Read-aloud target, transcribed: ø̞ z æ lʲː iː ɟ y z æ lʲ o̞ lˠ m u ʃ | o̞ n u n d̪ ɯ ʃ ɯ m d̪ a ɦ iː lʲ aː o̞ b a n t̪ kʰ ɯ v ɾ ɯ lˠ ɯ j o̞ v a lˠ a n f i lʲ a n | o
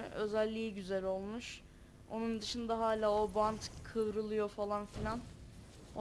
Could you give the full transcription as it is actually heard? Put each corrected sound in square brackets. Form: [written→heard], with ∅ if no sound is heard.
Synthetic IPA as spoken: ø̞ z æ lʲː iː ɟ y z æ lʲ o̞ lˠ m u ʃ | o̞ n u n d̪ ɯ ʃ ɯ [m→n] d̪ a ɦ [iː→aː] lʲ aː o̞ b a n t̪ kʰ ɯ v ɾ ɯ lˠ ɯ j o̞ [v→f] a lˠ a n f i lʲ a n | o